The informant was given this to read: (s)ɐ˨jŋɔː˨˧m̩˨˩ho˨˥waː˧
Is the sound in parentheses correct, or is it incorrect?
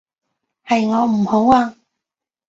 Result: incorrect